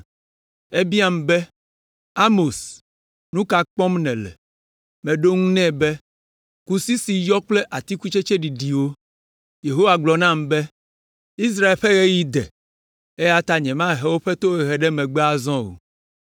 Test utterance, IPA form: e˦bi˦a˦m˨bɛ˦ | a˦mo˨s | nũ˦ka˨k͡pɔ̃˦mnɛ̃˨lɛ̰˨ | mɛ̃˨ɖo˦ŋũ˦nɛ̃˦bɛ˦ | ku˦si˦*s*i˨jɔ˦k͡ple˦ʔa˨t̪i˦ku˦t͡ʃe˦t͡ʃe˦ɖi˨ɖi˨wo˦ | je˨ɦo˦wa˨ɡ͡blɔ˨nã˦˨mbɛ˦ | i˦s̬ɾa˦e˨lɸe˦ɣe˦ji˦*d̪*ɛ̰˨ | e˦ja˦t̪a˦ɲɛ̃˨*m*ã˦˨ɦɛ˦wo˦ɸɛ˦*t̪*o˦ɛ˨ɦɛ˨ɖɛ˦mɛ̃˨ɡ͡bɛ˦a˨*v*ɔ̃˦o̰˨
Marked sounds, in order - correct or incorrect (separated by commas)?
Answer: correct, correct, correct, correct, incorrect